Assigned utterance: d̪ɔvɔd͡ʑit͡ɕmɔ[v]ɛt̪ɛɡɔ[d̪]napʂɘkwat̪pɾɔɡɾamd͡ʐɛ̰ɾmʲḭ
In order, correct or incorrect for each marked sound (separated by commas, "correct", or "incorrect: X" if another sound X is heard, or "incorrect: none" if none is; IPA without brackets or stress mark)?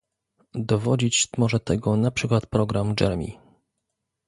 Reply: incorrect: ʐ, incorrect: none